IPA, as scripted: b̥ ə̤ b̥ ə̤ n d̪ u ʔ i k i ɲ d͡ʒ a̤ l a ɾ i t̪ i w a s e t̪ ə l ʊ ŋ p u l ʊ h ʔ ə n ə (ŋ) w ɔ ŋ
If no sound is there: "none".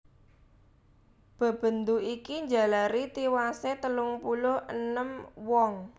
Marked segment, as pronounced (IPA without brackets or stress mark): m